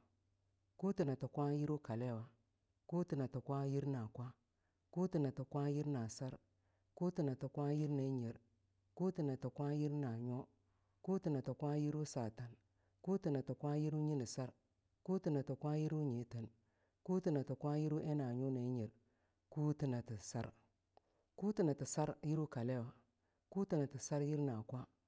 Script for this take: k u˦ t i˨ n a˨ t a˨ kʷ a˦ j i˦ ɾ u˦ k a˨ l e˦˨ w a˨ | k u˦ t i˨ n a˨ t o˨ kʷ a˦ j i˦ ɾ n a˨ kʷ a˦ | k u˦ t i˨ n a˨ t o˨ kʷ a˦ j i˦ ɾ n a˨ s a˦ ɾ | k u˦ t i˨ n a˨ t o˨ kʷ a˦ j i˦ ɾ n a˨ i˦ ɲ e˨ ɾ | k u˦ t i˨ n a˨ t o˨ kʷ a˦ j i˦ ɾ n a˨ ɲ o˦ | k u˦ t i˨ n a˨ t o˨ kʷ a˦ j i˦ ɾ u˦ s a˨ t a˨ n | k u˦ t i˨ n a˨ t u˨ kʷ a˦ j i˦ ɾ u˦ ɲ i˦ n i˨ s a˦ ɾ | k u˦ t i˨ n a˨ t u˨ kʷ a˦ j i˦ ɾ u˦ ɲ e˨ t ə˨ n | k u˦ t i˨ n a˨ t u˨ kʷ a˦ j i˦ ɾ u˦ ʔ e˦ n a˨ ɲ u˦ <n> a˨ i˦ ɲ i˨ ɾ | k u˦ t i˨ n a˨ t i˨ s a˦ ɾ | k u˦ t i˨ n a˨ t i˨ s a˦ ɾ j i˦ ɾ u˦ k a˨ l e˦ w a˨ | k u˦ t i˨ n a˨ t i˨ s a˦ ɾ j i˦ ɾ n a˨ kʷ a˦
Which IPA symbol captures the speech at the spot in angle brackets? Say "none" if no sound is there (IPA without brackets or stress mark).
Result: n